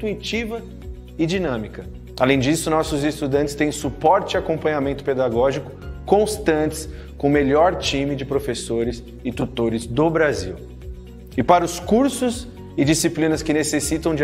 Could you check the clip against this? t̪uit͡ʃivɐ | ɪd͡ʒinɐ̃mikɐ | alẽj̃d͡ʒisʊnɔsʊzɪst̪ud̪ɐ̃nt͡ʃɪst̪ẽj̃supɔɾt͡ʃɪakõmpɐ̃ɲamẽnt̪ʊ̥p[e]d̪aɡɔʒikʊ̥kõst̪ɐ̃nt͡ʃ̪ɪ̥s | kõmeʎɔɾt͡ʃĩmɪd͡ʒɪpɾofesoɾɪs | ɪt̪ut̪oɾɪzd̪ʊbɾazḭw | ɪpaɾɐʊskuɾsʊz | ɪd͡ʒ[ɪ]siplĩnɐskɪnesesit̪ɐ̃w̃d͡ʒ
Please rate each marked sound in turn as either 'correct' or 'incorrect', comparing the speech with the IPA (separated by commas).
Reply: correct, incorrect